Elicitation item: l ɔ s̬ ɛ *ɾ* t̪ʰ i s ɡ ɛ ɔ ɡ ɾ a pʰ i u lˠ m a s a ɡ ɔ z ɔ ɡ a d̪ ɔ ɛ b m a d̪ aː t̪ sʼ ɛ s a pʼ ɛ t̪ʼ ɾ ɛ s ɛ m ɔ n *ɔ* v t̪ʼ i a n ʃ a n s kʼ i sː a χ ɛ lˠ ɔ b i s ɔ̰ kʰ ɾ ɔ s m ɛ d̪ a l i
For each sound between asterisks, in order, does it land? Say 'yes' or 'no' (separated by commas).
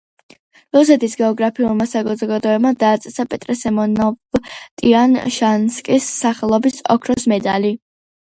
no, yes